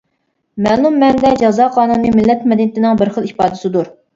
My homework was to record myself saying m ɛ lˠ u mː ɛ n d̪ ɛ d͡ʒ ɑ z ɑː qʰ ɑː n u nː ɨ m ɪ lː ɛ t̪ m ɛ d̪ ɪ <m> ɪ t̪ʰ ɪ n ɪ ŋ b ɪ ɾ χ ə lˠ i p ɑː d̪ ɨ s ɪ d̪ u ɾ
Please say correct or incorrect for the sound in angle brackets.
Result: incorrect: n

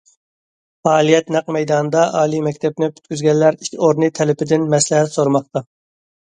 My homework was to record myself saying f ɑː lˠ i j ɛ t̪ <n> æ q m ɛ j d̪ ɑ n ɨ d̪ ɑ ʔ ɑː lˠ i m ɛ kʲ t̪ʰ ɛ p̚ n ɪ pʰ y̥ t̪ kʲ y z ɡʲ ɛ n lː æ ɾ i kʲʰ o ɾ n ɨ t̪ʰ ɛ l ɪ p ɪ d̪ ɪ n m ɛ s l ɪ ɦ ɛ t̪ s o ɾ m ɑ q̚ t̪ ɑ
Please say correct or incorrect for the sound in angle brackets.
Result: correct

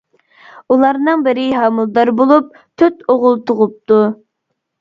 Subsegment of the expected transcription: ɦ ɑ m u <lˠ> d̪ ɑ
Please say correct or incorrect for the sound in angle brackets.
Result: correct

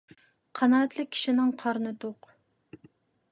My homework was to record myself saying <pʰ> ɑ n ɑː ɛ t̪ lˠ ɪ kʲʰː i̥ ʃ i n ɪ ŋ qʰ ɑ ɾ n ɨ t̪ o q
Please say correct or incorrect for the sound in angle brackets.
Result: incorrect: qʰ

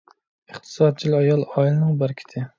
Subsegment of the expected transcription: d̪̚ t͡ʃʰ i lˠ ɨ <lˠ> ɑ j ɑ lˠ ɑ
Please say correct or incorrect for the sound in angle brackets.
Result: incorrect: none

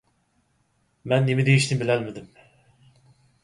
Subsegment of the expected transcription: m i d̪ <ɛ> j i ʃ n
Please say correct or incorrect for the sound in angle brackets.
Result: incorrect: e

